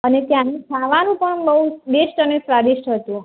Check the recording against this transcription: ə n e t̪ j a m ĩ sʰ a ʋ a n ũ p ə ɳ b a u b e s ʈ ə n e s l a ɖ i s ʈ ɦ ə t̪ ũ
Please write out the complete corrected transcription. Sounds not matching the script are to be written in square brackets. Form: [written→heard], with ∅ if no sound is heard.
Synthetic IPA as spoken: ə n e t̪ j a [m→n] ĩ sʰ a ʋ a n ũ p ə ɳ b [a→ə] u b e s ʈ ə n e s [l→ɾ] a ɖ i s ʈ ɦ ə t̪ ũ

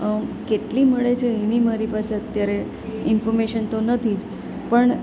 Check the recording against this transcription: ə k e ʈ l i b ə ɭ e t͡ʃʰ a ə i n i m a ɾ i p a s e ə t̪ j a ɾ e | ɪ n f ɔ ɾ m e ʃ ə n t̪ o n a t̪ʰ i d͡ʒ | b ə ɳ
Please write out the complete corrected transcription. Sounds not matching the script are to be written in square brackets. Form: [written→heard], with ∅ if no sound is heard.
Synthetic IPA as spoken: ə k e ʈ l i [b→m] ə ɭ e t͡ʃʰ [a→e] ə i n i m a ɾ i p a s e ə t̪ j a ɾ e | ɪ n f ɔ ɾ m e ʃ ə n t̪ o n [a→ə] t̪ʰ i d͡ʒ | [b→p] ə ɳ

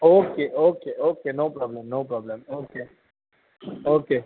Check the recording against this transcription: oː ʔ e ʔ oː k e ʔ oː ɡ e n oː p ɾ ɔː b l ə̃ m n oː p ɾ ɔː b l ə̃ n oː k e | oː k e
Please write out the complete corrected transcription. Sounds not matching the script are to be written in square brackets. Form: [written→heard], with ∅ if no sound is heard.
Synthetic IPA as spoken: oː [ʔ→k] e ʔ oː k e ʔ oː [ɡ→k] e n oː p ɾ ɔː b l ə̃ m n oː p ɾ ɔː b l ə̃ [n→m] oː k e | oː k e

